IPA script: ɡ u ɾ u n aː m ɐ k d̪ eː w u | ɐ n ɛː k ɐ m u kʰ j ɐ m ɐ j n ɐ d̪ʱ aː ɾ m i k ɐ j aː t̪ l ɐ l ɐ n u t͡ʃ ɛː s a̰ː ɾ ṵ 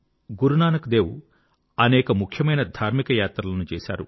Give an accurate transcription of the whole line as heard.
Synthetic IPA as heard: ɡ u ɾ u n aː n ɐ k d̪ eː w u | ɐ n ɛː k ɐ m u kʰ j ɐ m ɐ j n ɐ d̪ʱ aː ɾ m i k ɐ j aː t̪ ɾ ɐ l ɐ n u t͡ʃ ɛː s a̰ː ɾ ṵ

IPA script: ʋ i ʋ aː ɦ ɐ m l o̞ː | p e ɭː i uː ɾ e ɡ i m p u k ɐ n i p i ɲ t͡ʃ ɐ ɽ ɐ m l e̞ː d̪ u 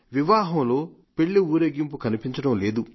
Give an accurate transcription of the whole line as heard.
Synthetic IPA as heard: ʋ i ʋ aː ɦ ɐ m l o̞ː | p e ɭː i uː ɾ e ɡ i m p u k ɐ n i p i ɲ t͡ʃ ɐ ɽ ɐ m l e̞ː d̪ u

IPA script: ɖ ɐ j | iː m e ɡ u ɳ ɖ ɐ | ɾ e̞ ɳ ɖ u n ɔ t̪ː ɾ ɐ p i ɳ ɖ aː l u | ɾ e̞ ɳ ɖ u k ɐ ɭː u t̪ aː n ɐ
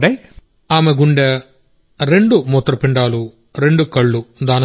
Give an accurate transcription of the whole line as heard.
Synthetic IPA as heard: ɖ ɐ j | aː m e ɡ u ɳ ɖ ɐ | ɾ e̞ ɳ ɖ u m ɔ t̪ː ɾ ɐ p i ɳ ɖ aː l u | ɾ e̞ ɳ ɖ u k ɐ ɭː u d̪ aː n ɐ

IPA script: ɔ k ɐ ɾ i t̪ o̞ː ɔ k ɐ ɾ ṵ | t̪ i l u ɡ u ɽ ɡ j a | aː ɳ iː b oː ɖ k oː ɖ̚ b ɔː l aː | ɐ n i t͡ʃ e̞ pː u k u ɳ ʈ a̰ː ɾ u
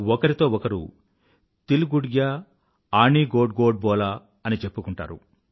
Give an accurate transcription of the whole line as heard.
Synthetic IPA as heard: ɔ k ɐ ɾ i t̪ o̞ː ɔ k ɐ ɾ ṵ | t̪ i l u ɡ u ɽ ɡ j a | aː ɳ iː ɡ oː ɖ ɡ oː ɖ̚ b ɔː l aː | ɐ n i t͡ʃ e̞ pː u k u ɳ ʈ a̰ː ɾ u

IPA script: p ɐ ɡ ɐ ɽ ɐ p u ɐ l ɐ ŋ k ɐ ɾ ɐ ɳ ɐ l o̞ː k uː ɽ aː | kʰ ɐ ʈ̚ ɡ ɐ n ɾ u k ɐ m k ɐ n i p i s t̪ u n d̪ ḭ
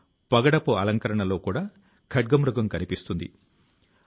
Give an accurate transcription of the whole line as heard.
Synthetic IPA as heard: p ɐ ɡ ɐ ɽ ɐ p u ɐ l ɐ ŋ k ɐ ɾ ɐ ɳ ɐ l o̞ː k uː ɽ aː | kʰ ɐ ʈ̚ ɡ ɐ m ɾ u ɡ ɐ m k ɐ n i p i s t̪ u n d̪ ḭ

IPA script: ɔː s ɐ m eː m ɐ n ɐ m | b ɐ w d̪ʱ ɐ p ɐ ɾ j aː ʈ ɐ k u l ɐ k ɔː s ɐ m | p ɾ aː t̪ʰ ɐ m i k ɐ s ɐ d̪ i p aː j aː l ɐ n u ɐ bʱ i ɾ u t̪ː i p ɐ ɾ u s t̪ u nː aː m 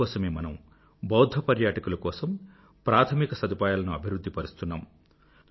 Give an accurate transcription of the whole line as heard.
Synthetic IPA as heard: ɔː s ɐ m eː m ɐ n ɐ m | b ɐ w d̪ʱ ɐ p ɐ ɾ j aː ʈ ɐ k u l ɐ k ɔː s ɐ m | p ɾ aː t̪ʰ ɐ m i k ɐ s ɐ d̪ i p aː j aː l ɐ n u ɐ bʱ i ɾ u d̪ː i p ɐ ɾ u s t̪ u nː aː m

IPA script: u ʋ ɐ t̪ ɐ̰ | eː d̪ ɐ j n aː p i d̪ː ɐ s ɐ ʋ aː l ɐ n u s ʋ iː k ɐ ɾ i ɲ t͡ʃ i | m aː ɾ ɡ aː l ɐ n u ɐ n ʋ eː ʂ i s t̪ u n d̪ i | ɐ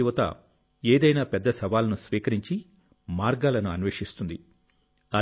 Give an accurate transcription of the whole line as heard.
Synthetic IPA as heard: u ʋ ɐ t̪ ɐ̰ | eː d̪ ɐ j n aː p ɛ d̪ː ɐ s ɐ ʋ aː l ɐ n u s ʋ iː k ɐ ɾ i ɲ t͡ʃ i | m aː ɾ ɡ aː l ɐ n u ɐ n ʋ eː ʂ i s t̪ u n d̪ i | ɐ

